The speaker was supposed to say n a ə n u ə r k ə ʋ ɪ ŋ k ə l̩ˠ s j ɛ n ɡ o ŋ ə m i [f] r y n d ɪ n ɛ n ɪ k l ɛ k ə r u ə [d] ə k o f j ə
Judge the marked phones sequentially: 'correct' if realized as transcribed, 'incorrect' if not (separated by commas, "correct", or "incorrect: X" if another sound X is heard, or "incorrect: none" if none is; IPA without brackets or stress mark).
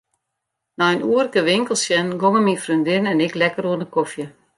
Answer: correct, incorrect: n